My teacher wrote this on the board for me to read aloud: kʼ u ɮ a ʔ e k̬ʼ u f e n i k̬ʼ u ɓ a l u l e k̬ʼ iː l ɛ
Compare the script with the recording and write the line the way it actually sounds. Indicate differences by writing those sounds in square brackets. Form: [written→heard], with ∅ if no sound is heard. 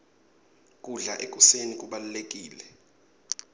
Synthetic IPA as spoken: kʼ u ɮ a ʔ e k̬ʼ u [f→s] e n i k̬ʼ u ɓ a l u l e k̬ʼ iː l ɛ